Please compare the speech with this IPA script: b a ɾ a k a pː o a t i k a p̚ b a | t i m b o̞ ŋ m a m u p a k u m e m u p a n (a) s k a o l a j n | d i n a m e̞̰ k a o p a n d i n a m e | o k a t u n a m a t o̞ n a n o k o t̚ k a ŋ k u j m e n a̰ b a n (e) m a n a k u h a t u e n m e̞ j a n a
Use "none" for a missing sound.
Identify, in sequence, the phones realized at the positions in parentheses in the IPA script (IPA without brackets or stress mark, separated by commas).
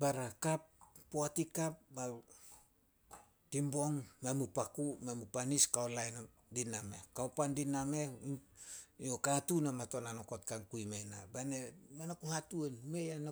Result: i, e